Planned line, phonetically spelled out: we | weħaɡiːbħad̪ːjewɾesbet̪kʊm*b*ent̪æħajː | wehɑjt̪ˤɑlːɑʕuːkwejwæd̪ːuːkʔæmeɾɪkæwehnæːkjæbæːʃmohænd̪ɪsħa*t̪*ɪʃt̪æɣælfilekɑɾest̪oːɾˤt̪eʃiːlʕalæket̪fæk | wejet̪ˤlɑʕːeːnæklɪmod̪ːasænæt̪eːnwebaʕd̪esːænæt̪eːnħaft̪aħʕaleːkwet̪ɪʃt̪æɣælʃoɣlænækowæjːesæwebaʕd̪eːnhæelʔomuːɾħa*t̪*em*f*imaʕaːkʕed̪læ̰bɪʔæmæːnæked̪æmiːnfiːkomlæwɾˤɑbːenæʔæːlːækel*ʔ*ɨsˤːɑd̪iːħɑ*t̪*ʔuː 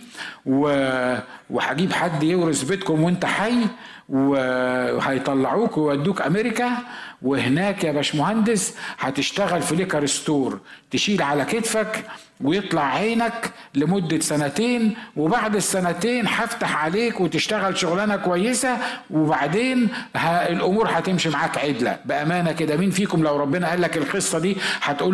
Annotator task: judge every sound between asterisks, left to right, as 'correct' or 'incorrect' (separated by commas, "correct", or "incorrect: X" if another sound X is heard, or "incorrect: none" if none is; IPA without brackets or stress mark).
incorrect: w, correct, correct, incorrect: ʃ, incorrect: q, correct